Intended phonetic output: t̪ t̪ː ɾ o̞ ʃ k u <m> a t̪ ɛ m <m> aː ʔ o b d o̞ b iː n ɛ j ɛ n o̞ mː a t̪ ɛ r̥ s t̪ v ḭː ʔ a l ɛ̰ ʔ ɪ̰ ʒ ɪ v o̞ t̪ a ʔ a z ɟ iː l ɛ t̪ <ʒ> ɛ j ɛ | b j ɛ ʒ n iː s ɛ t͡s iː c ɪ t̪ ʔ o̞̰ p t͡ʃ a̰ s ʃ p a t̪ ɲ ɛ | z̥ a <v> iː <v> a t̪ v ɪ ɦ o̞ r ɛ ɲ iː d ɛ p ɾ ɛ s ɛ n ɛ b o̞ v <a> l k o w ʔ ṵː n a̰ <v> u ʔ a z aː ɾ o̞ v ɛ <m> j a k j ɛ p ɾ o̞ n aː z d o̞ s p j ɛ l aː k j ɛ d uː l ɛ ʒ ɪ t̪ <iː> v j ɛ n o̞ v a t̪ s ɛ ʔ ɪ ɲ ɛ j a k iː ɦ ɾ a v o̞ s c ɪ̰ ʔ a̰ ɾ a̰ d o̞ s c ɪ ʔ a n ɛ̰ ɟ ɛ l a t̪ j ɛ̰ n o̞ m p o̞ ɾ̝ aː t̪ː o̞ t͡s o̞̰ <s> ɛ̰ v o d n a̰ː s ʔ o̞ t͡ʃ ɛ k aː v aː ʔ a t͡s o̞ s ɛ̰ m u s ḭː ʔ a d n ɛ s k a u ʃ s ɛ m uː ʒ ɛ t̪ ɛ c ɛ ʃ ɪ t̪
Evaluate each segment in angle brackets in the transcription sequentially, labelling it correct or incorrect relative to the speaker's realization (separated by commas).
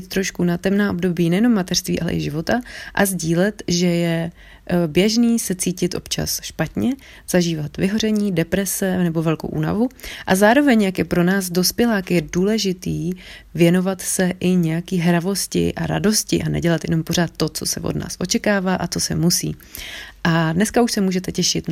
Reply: incorrect, incorrect, correct, incorrect, correct, incorrect, correct, incorrect, correct, correct